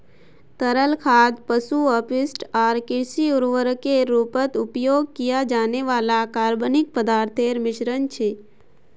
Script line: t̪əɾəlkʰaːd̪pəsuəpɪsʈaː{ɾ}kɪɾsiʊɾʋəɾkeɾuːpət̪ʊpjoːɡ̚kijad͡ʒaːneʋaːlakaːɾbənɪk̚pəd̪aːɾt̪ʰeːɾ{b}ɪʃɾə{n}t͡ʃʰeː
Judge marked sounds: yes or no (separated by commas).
yes, no, yes